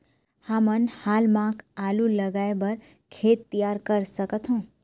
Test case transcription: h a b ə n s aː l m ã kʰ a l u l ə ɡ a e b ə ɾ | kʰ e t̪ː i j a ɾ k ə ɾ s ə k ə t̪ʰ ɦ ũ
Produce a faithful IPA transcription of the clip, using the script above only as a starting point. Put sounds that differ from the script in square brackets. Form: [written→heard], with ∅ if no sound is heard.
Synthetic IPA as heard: h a [b→m] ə n [s→h] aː l m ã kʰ a l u l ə ɡ a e b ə ɾ | kʰ e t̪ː i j a ɾ k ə ɾ s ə k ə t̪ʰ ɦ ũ